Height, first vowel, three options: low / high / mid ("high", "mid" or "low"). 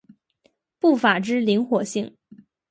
high